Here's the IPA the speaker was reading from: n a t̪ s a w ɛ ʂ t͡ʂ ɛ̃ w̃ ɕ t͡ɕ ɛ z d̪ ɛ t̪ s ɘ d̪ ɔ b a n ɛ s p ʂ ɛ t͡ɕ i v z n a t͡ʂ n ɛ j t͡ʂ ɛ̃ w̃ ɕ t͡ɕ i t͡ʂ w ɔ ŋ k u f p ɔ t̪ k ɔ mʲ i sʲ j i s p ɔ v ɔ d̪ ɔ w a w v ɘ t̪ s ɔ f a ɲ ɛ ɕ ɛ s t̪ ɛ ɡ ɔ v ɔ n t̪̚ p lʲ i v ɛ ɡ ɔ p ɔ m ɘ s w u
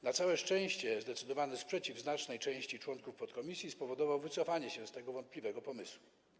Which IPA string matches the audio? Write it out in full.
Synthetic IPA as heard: n a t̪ s a w ɛ ʂ t͡ʂ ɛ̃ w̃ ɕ t͡ɕ ɛ z d̪ ɛ t̪ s ɘ d̪ ɔ v a n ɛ s p ʂ ɛ t͡ɕ i v z n a t͡ʂ n ɛ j t͡ʂ ɛ̃ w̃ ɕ t͡ɕ i t͡ʂ w ɔ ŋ k u f p ɔ t̪ k ɔ mʲ i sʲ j i s p ɔ v ɔ d̪ ɔ v a w v ɘ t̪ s ɔ f a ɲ ɛ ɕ ɛ s t̪ ɛ ɡ ɔ v ɔ n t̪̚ p lʲ i v ɛ ɡ ɔ p ɔ m ɘ s w u